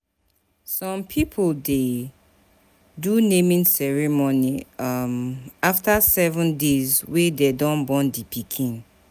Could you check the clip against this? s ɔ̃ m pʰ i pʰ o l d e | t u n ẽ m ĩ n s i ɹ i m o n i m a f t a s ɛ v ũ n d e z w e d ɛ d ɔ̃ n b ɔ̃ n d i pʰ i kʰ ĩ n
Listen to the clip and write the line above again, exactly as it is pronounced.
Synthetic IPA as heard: s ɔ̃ m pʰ i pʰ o l d e | d u n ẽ m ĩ n s ɛ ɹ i m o n i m a f t a s ɛ v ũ n d e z w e d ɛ d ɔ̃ n b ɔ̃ n d i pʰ i kʰ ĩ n